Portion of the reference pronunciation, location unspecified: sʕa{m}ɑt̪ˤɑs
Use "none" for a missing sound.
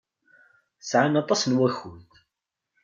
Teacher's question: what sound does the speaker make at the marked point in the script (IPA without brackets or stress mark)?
n